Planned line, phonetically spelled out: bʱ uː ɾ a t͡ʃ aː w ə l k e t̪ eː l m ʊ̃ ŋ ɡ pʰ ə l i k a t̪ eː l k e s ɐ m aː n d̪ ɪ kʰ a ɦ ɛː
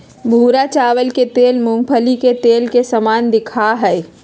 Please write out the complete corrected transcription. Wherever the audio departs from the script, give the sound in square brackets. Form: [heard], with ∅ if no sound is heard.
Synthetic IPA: bʱ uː ɾ a t͡ʃ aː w ə l k e t̪ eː l m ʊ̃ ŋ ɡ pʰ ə l i k [e] t̪ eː l k e s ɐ m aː n d̪ ɪ kʰ a ɦ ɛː